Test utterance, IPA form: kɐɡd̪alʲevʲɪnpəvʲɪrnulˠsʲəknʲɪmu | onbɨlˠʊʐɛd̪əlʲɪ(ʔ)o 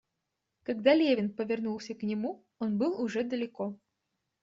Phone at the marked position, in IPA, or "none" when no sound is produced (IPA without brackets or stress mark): k